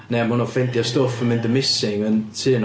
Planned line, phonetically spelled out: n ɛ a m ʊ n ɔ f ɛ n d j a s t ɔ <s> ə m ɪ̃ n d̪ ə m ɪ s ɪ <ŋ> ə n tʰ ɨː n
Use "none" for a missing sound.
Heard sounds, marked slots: f, ŋ

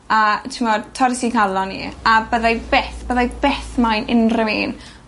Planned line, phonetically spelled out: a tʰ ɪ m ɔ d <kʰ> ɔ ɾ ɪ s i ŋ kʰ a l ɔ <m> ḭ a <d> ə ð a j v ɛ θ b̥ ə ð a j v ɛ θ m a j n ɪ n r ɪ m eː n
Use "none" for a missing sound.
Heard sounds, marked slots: tʰ, n, b

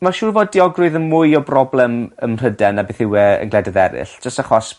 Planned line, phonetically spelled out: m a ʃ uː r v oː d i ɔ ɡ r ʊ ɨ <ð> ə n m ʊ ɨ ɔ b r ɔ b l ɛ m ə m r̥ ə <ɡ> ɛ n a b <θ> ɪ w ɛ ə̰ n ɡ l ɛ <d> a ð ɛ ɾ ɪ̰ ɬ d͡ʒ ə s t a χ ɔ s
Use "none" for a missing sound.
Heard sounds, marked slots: ð, d, θ, d

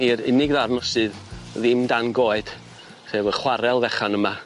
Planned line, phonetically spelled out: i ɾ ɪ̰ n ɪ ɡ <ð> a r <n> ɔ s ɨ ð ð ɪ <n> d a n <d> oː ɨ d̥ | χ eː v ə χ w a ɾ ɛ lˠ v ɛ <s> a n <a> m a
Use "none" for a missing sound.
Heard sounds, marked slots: ð, n, m, ɡ, χ, ə

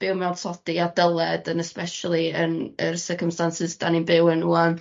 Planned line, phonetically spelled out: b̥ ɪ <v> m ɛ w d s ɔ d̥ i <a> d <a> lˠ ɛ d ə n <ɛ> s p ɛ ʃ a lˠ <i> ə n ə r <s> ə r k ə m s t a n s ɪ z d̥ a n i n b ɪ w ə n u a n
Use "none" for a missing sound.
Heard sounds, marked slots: w, a, ə, ɛ, i, s

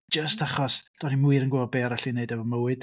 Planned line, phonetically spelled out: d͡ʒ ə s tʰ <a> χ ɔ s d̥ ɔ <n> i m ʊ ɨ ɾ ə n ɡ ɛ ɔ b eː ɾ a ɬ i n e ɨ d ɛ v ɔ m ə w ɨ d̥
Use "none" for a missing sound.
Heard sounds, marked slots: a, n

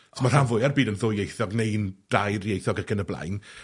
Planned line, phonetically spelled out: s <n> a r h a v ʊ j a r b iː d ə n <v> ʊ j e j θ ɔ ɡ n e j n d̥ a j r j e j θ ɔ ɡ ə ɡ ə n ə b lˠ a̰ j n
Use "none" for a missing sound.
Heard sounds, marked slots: m, ð

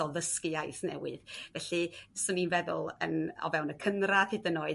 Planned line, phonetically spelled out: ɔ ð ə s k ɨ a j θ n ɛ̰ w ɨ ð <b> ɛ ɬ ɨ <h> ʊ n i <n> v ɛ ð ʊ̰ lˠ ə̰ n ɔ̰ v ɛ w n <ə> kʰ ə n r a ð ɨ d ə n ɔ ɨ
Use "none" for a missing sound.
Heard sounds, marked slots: v, s, n, ə

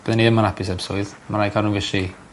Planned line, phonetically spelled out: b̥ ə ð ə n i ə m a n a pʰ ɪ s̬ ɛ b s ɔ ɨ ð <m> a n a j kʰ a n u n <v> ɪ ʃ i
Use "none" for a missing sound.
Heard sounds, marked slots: m, v

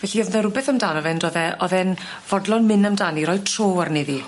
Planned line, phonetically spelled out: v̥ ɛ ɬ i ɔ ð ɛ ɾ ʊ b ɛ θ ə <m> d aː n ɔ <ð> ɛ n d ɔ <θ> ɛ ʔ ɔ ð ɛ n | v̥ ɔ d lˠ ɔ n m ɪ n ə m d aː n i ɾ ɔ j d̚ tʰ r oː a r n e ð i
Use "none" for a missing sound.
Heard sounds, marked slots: m, v, ð

